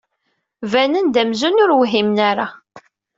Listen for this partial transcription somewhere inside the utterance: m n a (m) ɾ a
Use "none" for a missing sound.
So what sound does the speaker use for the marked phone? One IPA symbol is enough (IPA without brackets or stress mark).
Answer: none